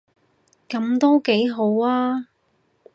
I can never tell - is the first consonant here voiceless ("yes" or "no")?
yes